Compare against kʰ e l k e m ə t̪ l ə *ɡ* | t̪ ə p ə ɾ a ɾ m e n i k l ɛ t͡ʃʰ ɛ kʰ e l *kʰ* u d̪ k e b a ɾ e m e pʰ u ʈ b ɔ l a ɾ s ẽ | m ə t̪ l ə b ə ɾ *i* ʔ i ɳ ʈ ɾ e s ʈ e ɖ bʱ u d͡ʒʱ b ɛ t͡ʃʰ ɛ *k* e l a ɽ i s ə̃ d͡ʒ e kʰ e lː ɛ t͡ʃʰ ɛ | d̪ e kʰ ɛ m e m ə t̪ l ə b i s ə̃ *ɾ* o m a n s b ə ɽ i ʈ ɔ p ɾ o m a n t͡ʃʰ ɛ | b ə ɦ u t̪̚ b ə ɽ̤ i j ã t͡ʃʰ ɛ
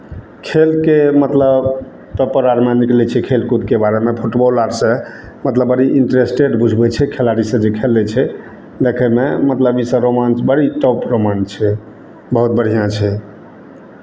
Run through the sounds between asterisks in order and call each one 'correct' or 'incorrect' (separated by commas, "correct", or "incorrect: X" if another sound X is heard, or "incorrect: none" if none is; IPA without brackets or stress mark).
incorrect: b, incorrect: k, correct, incorrect: kʰ, correct